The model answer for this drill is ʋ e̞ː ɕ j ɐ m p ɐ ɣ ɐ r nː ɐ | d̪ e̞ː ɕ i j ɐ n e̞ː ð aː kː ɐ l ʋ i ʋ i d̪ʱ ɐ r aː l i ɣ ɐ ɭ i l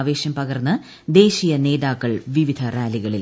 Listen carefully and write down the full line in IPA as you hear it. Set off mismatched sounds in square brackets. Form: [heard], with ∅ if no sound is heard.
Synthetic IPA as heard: ʋ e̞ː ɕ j ɐ m p ɐ ɣ ɐ r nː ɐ | d̪ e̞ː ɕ i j ɐ n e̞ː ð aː kː ɐ [ɭ] ʋ i ʋ i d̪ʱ ɐ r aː l i ɣ ɐ ɭ i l